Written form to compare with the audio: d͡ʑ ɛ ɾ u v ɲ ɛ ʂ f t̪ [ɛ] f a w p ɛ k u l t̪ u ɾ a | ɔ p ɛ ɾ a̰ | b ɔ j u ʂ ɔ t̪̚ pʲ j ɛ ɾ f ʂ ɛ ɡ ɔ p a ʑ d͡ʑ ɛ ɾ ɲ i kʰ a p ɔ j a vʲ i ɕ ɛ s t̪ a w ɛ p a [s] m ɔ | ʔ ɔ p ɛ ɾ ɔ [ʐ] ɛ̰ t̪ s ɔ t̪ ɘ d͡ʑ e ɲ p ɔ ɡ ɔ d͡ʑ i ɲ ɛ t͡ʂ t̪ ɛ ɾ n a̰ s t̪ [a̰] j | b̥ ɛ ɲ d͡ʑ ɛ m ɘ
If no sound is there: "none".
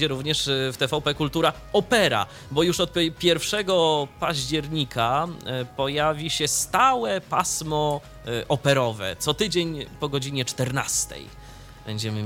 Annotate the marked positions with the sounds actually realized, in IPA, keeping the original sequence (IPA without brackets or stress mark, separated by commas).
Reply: ɛ, s, v, ɛ̰